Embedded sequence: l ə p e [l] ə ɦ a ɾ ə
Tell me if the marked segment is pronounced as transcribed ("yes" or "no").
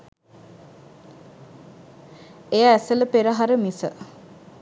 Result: no